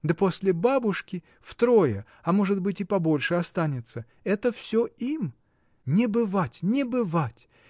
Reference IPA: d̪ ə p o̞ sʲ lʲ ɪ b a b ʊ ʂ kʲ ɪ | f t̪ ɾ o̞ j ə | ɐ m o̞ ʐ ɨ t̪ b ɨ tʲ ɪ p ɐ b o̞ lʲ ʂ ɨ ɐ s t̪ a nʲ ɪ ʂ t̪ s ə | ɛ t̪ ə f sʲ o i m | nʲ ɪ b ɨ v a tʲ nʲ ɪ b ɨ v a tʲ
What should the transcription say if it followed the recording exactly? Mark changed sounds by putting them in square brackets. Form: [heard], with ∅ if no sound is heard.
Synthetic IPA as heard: d̪ ə p o̞ sʲ lʲ ɪ b a b ʊ ʂ kʲ ɪ | f t̪ ɾ o̞ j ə | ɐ m o̞ ʐ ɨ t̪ b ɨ tʲ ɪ p ɐ b o̞ lʲ ʂ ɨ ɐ s t̪ a nʲ ɪ [∅] t̪ s ə | ɛ t̪ ə f sʲ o i m | nʲ ɪ b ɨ v a tʲ nʲ ɪ b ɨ v a tʲ

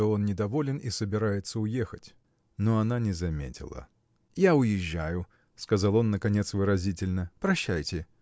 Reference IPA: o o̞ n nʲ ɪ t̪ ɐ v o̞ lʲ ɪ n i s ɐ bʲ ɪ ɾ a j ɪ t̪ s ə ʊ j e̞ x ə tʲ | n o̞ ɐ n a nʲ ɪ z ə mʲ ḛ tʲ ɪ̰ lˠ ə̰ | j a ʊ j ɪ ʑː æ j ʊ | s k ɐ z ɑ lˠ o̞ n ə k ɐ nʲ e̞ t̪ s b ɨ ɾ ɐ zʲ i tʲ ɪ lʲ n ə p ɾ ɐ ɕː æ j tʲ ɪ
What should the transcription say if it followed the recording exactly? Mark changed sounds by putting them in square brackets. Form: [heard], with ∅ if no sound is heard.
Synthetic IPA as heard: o o̞ n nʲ ɪ [d̪] ɐ v o̞ lʲ ɪ n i s [ə] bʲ ɪ ɾ a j ɪ t̪ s ə ʊ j e̞ x ə tʲ | n o̞ ɐ n a nʲ ɪ z [ɐ] mʲ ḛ tʲ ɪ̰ lˠ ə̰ | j a ʊ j ɪ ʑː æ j ʊ | s k ɐ z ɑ lˠ o̞ [nː] ə k ɐ nʲ e̞ t̪ s [v] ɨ ɾ ɐ zʲ i tʲ ɪ lʲ n ə p ɾ ɐ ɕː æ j tʲ ɪ

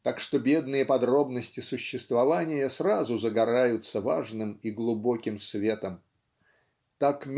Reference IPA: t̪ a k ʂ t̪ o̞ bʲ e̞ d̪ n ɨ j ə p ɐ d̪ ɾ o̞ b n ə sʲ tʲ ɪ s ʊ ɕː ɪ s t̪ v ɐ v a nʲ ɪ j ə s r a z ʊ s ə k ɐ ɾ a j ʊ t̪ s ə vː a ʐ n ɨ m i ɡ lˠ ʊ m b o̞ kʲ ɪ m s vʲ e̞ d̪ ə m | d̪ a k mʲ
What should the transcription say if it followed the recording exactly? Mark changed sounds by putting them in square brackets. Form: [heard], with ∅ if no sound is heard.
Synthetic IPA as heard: t̪ a k ʂ t̪ o̞ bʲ e̞ d̪ n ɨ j ə p ɐ d̪ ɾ o̞ b n ə sʲ tʲ ɪ s ʊ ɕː ɪ s t̪ v ɐ v a nʲ ɪ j ə s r a z ʊ [z] ə [ɡ] ɐ ɾ a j ʊ t̪ s ə [v] a ʐ n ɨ m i ɡ lˠ ʊ [∅] b o̞ kʲ ɪ m s vʲ e̞ [t̪] ə m | [t̪] a k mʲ

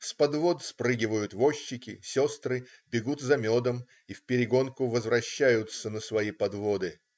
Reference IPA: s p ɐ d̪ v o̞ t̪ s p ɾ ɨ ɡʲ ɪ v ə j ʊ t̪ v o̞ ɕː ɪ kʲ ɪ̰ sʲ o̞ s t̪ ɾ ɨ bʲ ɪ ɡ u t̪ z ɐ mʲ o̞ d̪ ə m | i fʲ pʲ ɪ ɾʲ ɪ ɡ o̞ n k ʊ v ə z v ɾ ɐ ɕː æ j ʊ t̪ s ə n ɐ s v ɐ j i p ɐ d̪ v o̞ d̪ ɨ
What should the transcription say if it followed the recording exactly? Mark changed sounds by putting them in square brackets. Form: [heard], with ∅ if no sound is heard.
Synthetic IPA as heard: s p ɐ d̪ v o̞ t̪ s p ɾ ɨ ɡʲ ɪ v ə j ʊ t̪ v o̞ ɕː ɪ kʲ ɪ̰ sʲ o̞ s t̪ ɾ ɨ bʲ ɪ ɡ u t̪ z ɐ mʲ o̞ d̪ ə m | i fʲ pʲ ɪ ɾʲ ɪ ɡ o̞ n k ʊ v ə z v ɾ ɐ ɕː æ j ʊ t̪ s ə n [ə] s v ɐ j i p ɐ d̪ v o̞ d̪ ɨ

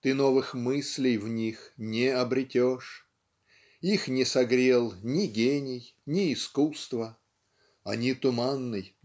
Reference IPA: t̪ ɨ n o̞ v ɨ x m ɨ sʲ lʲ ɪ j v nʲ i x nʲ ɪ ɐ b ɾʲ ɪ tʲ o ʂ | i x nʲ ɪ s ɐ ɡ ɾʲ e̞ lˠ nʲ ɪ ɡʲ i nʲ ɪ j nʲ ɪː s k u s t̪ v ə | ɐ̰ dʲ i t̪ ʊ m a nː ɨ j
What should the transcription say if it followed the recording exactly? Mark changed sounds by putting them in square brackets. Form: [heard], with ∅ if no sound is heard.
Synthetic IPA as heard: t̪ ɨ n o̞ v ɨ x m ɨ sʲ lʲ ɪ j v nʲ i x nʲ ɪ ɐ b ɾʲ ɪ tʲ o ʂ | i x nʲ ɪ s ɐ ɡ ɾʲ e̞ lˠ nʲ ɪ ɡʲ [e] nʲ ɪ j nʲ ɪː s k u s t̪ v ə | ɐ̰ [nʲ] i t̪ ʊ m a nː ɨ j

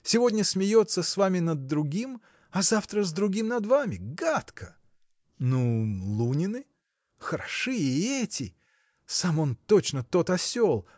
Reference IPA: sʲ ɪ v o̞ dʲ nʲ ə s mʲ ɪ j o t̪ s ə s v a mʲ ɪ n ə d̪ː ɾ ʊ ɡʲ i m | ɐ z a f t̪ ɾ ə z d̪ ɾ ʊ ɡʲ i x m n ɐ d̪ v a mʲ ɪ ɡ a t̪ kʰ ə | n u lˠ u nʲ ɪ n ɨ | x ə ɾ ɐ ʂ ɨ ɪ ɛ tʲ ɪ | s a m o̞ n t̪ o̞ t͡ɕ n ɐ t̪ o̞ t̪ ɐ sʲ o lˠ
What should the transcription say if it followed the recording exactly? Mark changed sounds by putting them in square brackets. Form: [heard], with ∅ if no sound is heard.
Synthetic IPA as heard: sʲ ɪ v o̞ dʲ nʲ ə s mʲ ɪ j o t̪ s ə s v a mʲ ɪ n ə d̪ː ɾ ʊ ɡʲ i m | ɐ z a f t̪ ɾ ə z d̪ ɾ ʊ ɡʲ i [∅] m n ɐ d̪ v a mʲ ɪ ɡ a t̪ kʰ ə | n u lˠ u nʲ ɪ n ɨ | x ə ɾ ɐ ʂ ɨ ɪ ɛ tʲ ɪ | s a m o̞ n t̪ o̞ t͡ɕ n [ə] t̪ o̞ t̪ ɐ sʲ o lˠ

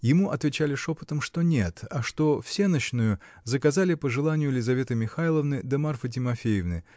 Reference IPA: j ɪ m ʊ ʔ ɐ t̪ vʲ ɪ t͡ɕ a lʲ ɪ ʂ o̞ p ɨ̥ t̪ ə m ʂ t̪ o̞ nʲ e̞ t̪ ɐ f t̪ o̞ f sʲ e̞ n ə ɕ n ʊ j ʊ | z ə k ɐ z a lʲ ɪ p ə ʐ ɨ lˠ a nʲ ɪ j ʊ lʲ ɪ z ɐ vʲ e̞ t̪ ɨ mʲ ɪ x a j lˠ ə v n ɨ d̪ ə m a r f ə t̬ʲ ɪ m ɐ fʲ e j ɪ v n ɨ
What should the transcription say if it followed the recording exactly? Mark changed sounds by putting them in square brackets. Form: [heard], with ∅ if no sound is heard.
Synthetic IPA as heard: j ɪ m [u] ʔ ɐ t̪ vʲ ɪ t͡ɕ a lʲ ɪ ʂ o̞ p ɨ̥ t̪ ə m ʂ t̪ o̞ nʲ e̞ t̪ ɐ [ʂ] t̪ o̞ f sʲ e̞ n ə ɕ n ʊ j ʊ | z ə k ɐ z a lʲ ɪ p ə ʐ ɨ lˠ a nʲ ɪ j ʊ lʲ ɪ z ɐ vʲ e̞ t̪ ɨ mʲ ɪ x a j lˠ ə v n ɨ d̪ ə m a r f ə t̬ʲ ɪ m ɐ fʲ e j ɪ v n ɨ

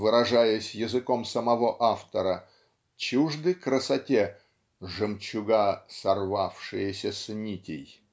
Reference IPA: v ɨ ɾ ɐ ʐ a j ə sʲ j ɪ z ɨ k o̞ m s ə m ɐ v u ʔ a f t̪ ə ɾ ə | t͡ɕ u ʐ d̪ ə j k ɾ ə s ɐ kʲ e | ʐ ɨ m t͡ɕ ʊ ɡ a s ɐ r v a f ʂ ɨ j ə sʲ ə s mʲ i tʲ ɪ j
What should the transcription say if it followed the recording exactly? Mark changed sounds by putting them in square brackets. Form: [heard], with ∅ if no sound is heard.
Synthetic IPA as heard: v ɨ ɾ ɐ ʐ a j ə sʲ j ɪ z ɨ k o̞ m s ə m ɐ v [o] ʔ a f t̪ ə ɾ ə | t͡ɕ u ʐ d̪ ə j k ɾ ə s ɐ [tʲ] e | ʐ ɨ m t͡ɕ ʊ ɡ a s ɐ r v a f ʂ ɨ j ə sʲ ə s [nʲ] i tʲ ɪ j

